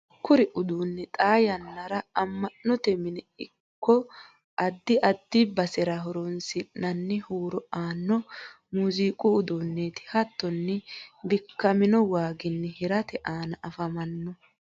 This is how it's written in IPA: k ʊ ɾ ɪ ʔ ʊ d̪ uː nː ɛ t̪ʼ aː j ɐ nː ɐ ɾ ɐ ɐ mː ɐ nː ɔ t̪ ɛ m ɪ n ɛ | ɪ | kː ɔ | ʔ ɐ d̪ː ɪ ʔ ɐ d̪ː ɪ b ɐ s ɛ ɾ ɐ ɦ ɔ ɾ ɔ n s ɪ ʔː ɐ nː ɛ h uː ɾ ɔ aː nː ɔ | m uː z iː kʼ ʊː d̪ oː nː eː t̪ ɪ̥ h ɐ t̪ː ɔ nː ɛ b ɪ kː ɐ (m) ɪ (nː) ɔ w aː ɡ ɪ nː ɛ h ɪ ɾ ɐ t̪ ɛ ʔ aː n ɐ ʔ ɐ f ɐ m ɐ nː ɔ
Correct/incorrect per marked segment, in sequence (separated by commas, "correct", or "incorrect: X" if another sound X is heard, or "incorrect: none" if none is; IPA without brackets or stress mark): correct, incorrect: n